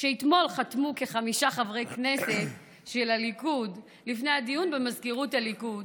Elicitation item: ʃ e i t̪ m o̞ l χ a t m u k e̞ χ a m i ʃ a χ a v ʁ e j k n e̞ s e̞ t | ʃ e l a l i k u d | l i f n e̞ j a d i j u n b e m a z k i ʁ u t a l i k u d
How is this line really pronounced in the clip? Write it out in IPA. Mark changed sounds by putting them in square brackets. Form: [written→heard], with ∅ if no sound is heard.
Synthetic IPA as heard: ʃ e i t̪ m o̞ l χ a t m u k e̞ χ a m i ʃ a χ a v ʁ e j k n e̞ s e̞ t | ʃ e l a l i k u d | l i f n e̞ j a d i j u n b e m a z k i ʁ u t a l i k u d

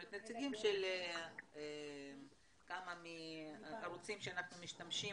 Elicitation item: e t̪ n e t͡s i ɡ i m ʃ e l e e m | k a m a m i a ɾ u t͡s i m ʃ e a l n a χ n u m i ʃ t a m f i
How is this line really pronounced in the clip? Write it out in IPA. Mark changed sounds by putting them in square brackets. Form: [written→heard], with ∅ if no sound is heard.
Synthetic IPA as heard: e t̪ n e t͡s i ɡ i m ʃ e l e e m | k a m a m i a ɾ u t͡s i m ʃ e a [l→∅] n a χ n u m i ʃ t a m [f→ʃ] i

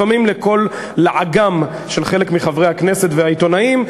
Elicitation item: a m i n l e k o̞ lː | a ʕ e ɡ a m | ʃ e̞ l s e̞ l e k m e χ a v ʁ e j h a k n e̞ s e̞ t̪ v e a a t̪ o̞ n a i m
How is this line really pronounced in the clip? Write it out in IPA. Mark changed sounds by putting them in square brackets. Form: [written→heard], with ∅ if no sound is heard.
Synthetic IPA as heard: a m i [n→m] l e k o̞ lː | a ʕ [e→a] ɡ a m | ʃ e̞ l [s→χ] e̞ l e k m [e→i] χ a v ʁ e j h a k n e̞ s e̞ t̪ v e a [a→i] t̪ o̞ n a i m

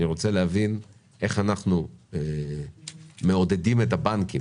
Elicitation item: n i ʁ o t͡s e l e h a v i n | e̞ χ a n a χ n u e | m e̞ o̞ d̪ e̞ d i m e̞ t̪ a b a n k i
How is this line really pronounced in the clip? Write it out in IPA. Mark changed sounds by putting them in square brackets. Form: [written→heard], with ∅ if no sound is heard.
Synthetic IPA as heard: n i ʁ o t͡s e l e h a v i n | e̞ χ a n a χ n u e | m e̞ o̞ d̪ e̞ d i m e̞ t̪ a b a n k i

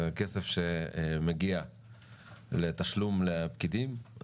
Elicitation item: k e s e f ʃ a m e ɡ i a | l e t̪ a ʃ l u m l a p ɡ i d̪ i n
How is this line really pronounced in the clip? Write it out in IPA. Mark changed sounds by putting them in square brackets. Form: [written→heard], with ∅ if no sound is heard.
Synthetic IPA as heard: k e s e f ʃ [a→e] m e ɡ i a | l e t̪ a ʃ l u m l [a→e] p [ɡ→k] i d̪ i [n→m]

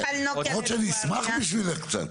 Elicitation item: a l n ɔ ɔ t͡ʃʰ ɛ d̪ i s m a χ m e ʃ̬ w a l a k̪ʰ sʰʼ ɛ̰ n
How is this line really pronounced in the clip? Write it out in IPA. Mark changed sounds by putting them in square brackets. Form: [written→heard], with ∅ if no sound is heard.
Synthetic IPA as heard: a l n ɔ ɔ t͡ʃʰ ɛ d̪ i s m a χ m [e→i] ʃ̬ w [a→i] l [a→ɛ] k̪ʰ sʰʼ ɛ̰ n

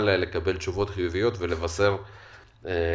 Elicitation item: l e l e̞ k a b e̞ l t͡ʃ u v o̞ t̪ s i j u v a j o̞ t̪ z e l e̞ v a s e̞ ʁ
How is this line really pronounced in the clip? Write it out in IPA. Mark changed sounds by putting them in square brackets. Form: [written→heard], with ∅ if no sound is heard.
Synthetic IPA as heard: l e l e̞ k a b e̞ l t͡ʃ u v o̞ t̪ [s→χ] i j u v [a→i] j o̞ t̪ [z→v] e l e̞ v a s e̞ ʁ

